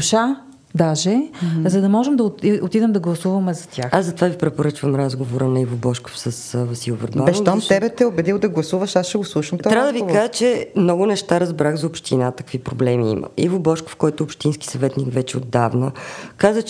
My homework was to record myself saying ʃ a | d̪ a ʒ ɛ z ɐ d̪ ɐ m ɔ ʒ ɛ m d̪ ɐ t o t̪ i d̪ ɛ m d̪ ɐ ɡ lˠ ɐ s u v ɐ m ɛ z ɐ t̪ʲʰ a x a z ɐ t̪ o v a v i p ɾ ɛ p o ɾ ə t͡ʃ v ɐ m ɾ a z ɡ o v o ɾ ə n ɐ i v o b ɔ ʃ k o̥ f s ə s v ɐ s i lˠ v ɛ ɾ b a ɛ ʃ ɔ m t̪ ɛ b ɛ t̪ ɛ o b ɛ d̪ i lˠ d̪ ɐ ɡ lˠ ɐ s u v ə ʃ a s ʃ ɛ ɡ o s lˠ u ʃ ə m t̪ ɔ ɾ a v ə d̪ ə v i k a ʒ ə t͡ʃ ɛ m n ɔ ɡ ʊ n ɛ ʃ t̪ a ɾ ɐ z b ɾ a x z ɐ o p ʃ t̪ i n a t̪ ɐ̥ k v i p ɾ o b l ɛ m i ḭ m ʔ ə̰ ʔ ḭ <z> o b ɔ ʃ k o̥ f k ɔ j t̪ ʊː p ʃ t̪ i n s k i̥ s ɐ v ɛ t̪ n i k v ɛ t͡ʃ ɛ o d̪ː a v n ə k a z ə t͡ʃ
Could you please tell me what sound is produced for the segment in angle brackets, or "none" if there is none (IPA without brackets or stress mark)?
v